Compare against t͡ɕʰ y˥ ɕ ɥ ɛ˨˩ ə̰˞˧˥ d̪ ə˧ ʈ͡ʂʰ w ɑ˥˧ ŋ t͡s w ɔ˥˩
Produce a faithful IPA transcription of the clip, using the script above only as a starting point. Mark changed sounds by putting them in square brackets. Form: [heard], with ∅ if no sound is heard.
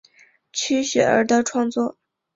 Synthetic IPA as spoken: t͡ɕʰ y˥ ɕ ɥ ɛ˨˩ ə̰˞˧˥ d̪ ə˧ ʈ͡ʂʰ w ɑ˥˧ ŋ t͡s w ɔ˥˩